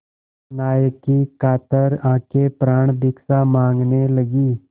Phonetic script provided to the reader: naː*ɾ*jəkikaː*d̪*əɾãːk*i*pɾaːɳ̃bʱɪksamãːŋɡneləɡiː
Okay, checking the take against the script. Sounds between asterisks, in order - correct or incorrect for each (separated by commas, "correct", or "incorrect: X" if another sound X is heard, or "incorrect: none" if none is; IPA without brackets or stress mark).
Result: incorrect: none, incorrect: t̪, incorrect: e